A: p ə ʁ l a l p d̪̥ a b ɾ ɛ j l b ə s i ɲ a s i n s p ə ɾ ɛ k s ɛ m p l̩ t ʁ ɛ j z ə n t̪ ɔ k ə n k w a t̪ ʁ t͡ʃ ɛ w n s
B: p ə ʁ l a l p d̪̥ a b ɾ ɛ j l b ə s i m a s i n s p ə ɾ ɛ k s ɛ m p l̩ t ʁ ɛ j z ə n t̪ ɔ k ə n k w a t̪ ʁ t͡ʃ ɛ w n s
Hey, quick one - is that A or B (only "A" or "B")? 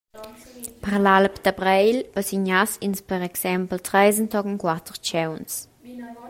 A